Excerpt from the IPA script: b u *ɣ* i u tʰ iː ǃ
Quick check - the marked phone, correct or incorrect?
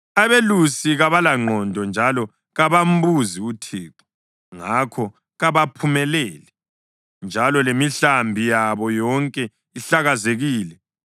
incorrect